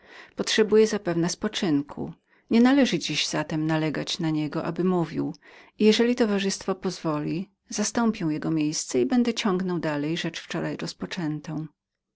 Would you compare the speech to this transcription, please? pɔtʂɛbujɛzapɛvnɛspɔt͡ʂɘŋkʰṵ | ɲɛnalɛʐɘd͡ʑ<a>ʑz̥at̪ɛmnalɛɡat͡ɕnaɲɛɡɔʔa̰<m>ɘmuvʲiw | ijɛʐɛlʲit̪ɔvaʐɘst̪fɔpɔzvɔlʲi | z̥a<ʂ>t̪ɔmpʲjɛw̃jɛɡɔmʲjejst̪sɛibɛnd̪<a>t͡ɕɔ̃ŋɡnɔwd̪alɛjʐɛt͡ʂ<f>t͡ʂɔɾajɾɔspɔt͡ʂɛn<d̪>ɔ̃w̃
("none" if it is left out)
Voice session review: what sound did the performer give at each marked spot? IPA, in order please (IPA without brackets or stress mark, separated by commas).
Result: i, b, s, ɛ, f, t̪